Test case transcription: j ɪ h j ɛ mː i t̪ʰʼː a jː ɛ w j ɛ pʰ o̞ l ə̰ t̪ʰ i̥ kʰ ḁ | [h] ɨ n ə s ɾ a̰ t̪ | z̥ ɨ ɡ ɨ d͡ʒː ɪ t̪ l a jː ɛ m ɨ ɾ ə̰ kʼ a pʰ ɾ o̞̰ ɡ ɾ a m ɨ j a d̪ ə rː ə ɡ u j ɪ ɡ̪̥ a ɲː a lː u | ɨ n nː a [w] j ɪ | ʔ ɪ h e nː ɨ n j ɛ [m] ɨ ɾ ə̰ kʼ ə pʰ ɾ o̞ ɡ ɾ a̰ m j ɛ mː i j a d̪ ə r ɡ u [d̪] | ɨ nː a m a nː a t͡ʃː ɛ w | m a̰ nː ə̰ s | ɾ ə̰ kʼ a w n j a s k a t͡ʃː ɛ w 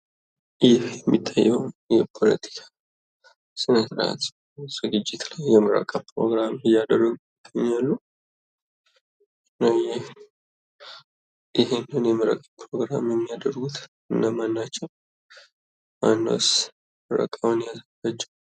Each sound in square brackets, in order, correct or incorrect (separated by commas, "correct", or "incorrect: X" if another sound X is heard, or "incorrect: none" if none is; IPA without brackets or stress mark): incorrect: s, correct, correct, incorrect: t̪